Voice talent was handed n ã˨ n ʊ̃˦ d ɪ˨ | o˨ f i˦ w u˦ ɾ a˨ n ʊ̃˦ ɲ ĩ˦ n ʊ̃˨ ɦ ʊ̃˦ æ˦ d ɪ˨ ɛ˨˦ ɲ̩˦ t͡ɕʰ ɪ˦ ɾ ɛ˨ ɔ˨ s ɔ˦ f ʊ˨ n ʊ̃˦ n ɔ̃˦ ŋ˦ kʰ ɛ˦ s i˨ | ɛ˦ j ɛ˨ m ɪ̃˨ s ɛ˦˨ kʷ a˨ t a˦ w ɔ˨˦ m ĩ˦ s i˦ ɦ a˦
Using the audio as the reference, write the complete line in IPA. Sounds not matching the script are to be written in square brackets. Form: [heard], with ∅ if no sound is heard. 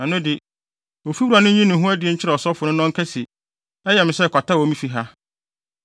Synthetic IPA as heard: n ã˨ n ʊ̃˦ d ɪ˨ | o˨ f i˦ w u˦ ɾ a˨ n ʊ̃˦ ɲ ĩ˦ n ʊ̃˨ ɦ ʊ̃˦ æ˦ d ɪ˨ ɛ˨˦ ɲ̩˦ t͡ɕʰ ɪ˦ ɾ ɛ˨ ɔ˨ s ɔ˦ f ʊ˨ n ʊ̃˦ n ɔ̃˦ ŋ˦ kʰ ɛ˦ s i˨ | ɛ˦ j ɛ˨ m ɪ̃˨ s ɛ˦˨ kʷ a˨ t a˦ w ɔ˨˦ m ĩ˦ [f] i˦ ɦ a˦

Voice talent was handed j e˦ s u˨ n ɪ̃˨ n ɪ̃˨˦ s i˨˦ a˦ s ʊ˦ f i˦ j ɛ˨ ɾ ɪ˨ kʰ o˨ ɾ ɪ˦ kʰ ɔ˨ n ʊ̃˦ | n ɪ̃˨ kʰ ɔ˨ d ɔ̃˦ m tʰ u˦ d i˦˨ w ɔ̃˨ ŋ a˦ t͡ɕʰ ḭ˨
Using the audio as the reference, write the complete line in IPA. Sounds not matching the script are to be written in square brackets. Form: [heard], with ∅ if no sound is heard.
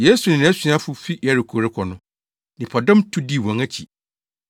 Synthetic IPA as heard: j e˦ s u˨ n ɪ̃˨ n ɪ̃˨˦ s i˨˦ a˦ [f] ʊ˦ f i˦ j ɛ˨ ɾ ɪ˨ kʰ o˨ ɾ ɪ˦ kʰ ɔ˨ n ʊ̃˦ | n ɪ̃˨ [pʰ] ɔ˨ d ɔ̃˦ m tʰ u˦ d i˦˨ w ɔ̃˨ ŋ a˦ t͡ɕʰ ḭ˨

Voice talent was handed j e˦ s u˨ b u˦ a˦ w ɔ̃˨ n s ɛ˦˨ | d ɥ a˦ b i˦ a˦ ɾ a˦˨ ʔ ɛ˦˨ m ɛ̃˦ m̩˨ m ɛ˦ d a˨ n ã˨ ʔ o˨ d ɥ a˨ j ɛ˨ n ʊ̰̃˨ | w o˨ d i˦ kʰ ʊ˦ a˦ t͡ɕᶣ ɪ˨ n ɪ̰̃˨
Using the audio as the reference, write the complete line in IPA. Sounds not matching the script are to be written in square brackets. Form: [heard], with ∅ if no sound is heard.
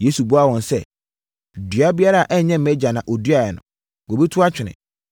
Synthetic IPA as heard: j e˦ s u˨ b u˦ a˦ w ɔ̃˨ n s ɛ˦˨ | d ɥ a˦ b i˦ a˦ ɾ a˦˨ ʔ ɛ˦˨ [ɲ] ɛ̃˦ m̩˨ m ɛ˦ [d͡ʑ] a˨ n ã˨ ʔ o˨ d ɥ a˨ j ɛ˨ n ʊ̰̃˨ | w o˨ [b] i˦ [tʰ] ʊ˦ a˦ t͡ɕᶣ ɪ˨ n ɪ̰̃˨

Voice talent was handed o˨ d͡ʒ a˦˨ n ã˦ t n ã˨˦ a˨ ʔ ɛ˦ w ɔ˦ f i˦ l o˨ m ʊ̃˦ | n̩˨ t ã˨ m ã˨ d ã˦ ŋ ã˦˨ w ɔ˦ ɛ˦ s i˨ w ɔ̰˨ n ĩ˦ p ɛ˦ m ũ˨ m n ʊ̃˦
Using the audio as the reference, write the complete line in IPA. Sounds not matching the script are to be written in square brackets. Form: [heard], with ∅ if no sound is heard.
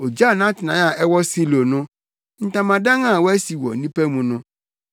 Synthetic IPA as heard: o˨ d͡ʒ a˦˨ n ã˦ t n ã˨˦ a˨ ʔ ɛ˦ w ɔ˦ [s] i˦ l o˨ [n] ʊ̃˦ | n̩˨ t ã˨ m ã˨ d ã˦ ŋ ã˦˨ w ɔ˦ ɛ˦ s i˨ w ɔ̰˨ n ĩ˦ p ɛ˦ m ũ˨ [∅] n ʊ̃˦

